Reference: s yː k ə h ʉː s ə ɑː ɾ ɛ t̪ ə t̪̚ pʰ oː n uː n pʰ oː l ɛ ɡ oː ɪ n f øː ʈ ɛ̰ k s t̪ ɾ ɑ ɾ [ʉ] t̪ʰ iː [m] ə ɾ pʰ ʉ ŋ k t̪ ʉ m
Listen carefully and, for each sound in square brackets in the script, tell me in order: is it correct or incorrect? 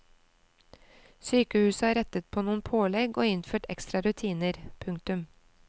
correct, incorrect: n

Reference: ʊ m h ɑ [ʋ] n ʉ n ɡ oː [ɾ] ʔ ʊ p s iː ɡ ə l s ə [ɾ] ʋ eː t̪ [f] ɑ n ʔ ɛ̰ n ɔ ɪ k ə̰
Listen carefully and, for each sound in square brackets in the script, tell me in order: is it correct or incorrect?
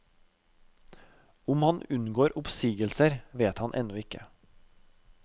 incorrect: none, correct, correct, incorrect: h

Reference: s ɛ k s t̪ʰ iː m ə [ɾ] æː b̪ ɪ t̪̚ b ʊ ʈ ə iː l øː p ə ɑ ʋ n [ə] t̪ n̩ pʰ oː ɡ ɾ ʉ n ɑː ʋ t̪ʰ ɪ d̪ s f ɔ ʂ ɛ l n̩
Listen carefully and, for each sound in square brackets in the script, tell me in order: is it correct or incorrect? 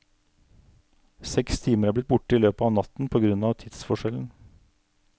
correct, incorrect: ɑ

